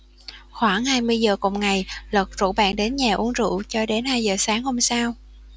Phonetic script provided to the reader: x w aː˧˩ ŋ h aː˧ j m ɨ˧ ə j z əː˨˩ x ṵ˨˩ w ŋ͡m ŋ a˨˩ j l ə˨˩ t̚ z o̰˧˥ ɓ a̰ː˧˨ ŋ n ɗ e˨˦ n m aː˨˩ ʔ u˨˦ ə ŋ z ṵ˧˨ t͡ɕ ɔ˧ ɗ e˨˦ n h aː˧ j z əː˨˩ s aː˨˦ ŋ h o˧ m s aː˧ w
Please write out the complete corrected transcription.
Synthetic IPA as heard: x w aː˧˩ ŋ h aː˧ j m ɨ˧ ə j z əː˨˩ k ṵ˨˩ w ŋ͡m ŋ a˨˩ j l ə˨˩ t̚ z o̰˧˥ ɓ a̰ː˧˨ n ɗ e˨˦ n ɲ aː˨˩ ʔ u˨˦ ə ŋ z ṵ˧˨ t͡ɕ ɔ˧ ɗ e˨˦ n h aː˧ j z əː˨˩ s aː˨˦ ŋ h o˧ m s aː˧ w

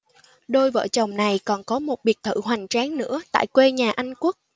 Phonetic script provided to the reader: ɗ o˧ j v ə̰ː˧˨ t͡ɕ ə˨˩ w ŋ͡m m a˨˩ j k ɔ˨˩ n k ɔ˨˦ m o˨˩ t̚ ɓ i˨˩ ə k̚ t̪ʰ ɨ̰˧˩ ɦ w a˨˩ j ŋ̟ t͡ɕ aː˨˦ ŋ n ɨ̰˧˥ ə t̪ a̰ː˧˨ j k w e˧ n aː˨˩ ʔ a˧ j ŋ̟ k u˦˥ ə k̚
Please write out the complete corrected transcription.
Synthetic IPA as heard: ɗ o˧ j v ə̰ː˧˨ t͡ɕ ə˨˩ w ŋ͡m n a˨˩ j k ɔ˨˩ n k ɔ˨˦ m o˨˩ t̚ ɓ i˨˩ ə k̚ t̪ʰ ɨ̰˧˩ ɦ w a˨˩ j ŋ̟ t͡ɕ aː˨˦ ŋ n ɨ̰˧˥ ə t̪ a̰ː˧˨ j k w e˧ ɲ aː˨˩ ʔ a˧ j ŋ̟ k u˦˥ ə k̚

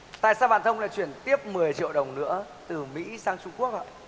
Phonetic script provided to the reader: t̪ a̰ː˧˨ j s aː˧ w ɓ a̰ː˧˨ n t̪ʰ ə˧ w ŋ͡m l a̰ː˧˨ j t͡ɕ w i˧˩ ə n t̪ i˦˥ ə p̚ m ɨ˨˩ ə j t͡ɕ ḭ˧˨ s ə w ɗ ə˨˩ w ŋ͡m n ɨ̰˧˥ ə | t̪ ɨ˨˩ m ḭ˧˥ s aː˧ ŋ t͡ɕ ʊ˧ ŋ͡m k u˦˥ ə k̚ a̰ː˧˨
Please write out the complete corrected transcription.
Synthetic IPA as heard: t̪ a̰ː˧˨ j s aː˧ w ɓ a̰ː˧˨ n t̪ʰ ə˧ w ŋ͡m l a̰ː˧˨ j t͡ɕ w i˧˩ ə n t̪ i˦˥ ə p̚ m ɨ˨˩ ə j t͡ɕ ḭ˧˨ ə w ɗ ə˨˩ w ŋ͡m n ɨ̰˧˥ ə | t̪ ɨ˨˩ m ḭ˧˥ s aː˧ ŋ t͡ɕ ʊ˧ ŋ͡m k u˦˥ ə k̚ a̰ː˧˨

